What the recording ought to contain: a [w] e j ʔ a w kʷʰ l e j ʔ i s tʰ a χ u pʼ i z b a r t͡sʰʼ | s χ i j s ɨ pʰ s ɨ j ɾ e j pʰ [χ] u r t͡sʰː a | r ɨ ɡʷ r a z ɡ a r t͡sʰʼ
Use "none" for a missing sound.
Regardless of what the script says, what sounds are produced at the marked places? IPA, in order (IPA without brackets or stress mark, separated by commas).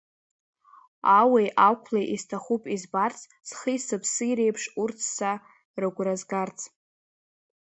w, ʂ